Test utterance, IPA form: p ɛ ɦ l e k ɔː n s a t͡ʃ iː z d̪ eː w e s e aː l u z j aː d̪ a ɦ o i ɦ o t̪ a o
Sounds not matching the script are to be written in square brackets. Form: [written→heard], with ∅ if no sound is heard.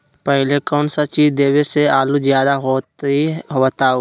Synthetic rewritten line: p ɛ ɦ l e k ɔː n s a t͡ʃ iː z d̪ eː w e s e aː l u z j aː d̪ a ɦ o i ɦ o t̪ a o